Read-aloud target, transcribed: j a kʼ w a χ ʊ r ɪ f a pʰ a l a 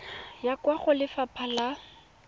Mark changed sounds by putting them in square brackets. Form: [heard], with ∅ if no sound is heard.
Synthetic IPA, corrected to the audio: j a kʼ w a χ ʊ [l] ɪ f a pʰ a l a